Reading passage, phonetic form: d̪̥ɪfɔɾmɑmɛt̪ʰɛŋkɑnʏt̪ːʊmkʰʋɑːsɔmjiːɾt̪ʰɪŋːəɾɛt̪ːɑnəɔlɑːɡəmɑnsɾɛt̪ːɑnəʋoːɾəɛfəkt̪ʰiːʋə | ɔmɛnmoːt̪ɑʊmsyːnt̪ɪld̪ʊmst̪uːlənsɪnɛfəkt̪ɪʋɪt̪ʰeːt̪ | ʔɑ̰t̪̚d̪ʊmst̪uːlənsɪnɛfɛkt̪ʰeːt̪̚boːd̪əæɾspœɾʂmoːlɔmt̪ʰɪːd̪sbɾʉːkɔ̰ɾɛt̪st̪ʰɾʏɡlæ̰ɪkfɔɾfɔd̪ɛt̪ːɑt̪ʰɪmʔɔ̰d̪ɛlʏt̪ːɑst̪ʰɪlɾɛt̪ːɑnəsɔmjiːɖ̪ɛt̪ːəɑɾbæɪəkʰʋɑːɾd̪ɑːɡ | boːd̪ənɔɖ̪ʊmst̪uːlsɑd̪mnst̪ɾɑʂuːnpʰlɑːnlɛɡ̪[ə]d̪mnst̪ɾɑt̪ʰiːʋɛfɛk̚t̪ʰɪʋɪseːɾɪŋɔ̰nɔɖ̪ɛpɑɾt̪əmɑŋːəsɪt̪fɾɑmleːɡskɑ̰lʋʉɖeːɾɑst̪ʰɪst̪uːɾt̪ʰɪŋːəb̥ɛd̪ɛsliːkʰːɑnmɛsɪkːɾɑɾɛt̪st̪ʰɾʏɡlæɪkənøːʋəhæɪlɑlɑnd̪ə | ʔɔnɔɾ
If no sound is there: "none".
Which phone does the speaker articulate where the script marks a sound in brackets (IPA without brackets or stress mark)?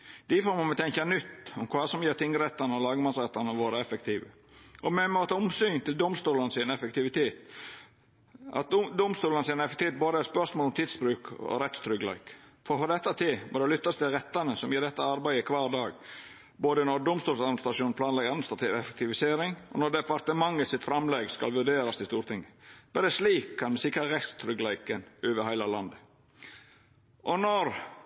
ɑ